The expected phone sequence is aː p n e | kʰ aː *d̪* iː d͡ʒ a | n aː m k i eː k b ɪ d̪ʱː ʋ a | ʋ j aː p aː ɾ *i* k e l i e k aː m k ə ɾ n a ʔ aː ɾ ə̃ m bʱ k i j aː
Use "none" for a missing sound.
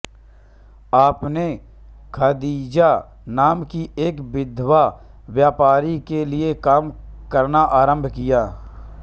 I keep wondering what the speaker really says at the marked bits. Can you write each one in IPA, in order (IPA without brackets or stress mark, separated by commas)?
d̪, i